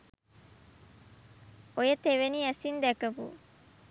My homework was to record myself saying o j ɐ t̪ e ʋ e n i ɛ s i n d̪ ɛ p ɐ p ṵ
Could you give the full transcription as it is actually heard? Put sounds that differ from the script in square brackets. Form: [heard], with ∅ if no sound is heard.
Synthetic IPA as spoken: o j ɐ t̪ e ʋ e n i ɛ s i n d̪ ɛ [k] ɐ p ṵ